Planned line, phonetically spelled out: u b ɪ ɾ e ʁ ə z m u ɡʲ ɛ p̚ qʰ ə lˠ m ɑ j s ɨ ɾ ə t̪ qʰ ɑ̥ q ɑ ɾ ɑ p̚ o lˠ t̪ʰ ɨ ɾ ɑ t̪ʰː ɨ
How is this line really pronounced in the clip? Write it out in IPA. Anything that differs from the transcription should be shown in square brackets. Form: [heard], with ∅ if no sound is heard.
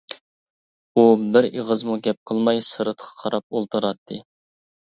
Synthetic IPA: u b ɪ ɾ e ʁ ə z m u ɡʲ ɛ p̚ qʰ ə lˠ m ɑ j s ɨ ɾ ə t̪ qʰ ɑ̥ [qʰ] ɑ ɾ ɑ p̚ o lˠ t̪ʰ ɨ ɾ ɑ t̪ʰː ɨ